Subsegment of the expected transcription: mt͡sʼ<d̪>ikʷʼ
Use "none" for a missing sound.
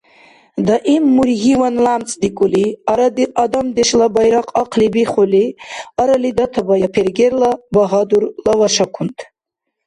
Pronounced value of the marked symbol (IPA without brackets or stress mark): d̪